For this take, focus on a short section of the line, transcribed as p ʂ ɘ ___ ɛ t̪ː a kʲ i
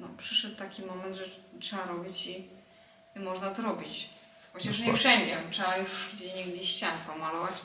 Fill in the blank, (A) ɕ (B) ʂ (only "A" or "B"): B